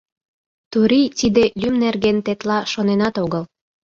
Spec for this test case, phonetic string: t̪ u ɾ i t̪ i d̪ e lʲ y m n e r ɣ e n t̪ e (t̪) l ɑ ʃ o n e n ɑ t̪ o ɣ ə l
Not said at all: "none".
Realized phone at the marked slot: t̪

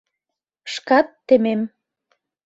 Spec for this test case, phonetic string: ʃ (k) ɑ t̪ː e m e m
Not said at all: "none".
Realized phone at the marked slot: k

